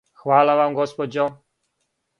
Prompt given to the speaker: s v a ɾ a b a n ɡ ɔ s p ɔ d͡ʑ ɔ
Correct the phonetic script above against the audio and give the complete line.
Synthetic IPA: x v a l a v a m ɡ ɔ s p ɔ d͡ʑ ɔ

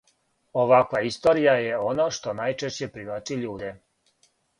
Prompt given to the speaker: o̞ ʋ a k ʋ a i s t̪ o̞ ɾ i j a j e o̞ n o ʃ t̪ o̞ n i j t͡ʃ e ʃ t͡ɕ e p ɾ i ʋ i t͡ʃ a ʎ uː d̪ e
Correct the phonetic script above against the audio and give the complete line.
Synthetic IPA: o̞ ʋ a k ʋ a i s t̪ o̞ ɾ i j a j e o̞ n o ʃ t̪ o̞ n a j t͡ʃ e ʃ t͡ɕ e p ɾ i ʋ a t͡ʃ i ʎ uː d̪ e

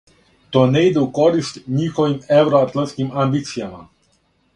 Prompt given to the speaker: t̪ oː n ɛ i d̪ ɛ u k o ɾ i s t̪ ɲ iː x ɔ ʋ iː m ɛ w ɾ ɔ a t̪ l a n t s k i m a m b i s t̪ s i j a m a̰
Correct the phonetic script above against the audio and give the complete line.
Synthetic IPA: t̪ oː n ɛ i d̪ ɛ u k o ɾ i s t̪ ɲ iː x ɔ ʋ i m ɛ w ɾ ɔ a t̪ l a n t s k i m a m b i t̪ s i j a m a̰

